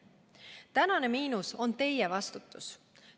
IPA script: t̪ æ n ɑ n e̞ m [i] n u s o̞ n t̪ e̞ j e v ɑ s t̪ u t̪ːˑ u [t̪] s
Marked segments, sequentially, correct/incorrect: incorrect: iː, incorrect: none

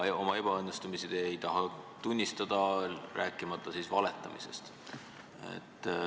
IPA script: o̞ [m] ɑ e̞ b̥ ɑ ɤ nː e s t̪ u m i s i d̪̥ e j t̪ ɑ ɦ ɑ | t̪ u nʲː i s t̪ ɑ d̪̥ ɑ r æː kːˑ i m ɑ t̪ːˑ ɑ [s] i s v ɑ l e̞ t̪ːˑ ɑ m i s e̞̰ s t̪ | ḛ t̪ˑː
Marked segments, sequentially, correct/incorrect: correct, correct

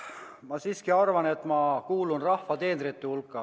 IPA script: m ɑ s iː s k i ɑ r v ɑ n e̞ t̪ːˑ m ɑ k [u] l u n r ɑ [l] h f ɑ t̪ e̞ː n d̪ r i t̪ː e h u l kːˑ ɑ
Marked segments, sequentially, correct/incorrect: incorrect: uː, incorrect: none

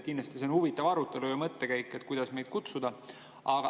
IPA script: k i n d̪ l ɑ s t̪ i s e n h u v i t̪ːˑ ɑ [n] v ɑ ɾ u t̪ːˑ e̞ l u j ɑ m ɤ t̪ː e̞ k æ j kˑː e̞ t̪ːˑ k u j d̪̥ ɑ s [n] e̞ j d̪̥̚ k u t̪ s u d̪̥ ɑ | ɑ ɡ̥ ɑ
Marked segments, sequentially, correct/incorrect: incorrect: none, incorrect: m

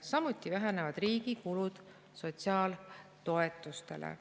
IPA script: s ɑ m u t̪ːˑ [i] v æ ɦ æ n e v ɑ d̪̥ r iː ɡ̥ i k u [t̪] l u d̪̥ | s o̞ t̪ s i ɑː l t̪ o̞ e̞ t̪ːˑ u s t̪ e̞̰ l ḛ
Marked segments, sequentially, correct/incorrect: correct, incorrect: none

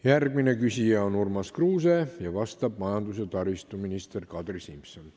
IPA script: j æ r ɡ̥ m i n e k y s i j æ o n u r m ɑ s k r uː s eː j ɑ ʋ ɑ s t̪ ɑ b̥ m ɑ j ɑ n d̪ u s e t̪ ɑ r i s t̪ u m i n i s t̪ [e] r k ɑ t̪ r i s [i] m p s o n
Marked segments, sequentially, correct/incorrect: correct, correct

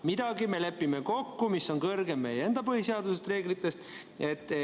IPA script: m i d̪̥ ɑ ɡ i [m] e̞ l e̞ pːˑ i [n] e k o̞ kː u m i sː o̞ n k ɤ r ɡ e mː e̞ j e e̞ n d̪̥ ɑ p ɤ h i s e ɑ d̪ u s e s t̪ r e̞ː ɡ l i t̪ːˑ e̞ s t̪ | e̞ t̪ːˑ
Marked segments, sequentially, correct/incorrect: correct, incorrect: m

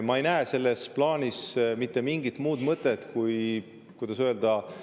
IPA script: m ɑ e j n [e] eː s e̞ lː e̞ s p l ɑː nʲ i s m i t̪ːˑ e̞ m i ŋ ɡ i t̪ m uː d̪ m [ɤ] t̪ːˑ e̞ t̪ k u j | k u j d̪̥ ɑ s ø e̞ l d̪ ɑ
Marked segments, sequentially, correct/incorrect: incorrect: æ, correct

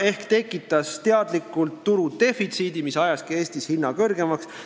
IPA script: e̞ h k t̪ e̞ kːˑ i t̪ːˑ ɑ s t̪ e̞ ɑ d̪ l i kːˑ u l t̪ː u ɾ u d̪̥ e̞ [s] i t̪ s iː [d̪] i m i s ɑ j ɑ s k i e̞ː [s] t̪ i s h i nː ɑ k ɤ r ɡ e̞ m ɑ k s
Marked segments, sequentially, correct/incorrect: incorrect: f, correct, correct

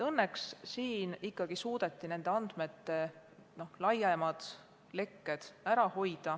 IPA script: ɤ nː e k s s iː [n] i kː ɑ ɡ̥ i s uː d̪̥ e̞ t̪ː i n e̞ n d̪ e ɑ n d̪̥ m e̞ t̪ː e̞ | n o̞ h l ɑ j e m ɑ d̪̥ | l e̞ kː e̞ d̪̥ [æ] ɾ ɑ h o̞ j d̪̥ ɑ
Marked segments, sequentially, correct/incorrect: correct, correct

